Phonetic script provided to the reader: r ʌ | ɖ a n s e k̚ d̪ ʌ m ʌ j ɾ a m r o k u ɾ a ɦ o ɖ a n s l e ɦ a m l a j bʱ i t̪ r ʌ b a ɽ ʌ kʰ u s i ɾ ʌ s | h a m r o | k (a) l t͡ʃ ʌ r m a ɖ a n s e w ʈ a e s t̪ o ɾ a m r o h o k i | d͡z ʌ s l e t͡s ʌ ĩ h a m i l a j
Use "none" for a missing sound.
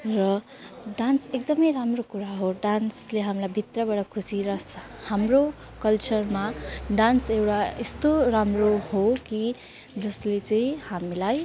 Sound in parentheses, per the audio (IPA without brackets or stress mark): ʌ